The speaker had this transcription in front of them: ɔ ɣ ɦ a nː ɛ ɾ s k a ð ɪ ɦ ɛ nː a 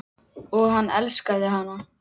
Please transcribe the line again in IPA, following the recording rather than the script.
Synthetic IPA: ɔ ɣ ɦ a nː ɛ l s k a ð ɪ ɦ a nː a